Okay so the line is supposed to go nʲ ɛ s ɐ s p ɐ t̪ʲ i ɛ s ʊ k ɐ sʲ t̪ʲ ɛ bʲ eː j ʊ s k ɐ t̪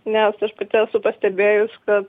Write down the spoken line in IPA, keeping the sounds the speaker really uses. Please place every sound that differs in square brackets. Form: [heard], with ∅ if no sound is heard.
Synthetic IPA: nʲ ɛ s ɐ [ʃ] p ɐ t̪ʲ [ɪ] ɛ s ʊ [p] ɐ sʲ t̪ʲ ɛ bʲ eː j ʊ s k ɐ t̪